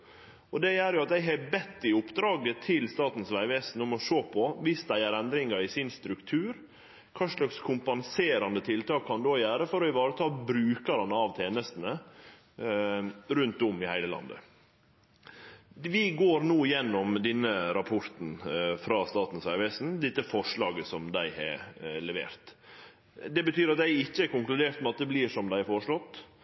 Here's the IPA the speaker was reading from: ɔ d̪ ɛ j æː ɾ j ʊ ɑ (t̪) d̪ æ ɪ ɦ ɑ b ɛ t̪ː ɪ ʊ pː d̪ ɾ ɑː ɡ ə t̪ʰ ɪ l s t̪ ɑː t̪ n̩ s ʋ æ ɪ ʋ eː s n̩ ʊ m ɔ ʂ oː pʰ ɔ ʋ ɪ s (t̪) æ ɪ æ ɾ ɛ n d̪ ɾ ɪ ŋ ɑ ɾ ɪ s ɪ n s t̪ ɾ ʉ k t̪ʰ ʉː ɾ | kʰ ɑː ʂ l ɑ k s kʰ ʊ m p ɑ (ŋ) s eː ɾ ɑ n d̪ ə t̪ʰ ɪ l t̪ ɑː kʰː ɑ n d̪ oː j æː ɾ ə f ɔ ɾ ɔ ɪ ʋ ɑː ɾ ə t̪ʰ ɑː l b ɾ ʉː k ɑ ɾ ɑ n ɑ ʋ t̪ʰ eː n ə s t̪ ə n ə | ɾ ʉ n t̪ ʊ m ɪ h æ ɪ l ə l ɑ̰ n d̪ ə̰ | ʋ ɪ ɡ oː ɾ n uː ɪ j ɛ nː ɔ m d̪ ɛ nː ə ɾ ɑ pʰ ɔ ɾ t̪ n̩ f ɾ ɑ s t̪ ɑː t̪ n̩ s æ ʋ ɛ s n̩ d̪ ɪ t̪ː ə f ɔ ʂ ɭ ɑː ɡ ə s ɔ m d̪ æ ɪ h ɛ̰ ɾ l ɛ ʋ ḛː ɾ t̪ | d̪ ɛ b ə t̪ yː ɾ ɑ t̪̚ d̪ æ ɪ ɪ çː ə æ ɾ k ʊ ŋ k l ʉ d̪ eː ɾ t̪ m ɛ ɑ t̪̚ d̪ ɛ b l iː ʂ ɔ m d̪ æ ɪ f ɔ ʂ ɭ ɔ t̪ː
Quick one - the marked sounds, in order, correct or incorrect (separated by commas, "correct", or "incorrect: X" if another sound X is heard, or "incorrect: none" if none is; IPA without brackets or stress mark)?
correct, incorrect: d̪, incorrect: n